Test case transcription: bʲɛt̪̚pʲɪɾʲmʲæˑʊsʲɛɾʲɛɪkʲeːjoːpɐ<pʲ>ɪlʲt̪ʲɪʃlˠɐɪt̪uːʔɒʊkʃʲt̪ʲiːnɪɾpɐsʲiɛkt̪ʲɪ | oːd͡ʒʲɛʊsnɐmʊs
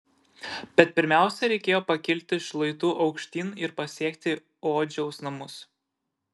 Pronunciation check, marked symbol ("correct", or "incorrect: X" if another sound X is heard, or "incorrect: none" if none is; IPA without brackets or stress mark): incorrect: kʲ